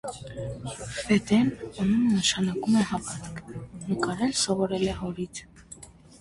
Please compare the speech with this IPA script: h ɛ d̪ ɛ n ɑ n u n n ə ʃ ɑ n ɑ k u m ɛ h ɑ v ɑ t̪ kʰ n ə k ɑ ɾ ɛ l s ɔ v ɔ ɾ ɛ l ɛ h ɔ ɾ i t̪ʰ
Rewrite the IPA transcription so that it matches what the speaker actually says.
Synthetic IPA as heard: f ɛ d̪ ɛ n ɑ n u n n ə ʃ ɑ n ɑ k u m ɛ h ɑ v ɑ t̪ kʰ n ə k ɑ ɾ ɛ l s ɔ v ɔ ɾ ɛ l ɛ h ɔ ɾ i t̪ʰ